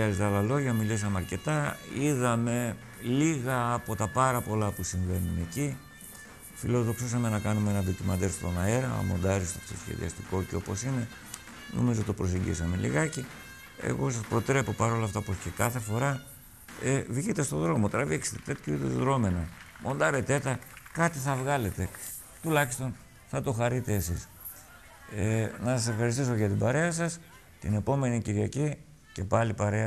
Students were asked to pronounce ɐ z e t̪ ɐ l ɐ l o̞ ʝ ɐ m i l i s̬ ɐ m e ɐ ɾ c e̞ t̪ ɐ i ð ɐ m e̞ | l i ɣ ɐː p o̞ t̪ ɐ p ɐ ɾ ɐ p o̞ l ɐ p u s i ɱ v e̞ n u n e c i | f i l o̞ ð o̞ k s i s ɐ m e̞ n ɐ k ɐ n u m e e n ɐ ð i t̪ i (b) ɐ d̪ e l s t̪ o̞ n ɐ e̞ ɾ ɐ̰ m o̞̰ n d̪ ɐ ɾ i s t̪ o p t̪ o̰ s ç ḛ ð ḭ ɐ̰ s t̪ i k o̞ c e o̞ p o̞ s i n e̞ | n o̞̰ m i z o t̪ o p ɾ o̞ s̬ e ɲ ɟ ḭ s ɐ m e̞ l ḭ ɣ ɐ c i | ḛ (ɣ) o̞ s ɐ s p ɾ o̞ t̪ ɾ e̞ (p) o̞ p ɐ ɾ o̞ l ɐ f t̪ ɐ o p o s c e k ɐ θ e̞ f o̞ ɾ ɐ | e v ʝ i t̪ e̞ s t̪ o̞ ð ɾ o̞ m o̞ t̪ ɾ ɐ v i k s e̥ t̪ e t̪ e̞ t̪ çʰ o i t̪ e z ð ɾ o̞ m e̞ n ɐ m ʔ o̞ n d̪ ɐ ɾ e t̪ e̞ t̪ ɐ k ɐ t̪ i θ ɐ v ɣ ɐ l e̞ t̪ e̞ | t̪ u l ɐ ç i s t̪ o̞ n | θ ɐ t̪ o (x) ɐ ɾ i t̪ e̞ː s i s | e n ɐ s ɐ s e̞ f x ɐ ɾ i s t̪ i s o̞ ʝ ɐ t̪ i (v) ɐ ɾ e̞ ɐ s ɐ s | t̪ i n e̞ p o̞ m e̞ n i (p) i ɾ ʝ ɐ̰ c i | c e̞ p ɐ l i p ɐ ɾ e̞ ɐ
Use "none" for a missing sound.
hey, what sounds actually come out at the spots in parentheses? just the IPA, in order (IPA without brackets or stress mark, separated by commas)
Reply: m, ɣ, p, x, b, c